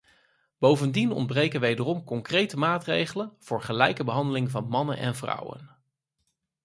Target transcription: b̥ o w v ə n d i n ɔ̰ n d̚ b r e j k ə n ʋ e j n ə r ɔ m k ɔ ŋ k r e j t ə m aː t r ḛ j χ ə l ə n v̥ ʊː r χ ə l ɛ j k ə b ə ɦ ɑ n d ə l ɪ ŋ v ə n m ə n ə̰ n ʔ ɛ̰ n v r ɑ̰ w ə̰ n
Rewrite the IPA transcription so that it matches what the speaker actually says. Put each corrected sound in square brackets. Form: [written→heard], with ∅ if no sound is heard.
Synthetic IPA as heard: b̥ o w v ə n d i n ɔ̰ n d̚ b r e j k ə n ʋ e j [n→d] ə r ɔ m k ɔ ŋ k r e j t ə m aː t r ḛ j χ ə l ə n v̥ ʊː [r→ɹ] χ ə l ɛ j k ə b ə ɦ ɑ n d ə l ɪ ŋ v [ə→ɑ] n m [ə→ɑ] n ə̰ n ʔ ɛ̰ n v r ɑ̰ w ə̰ n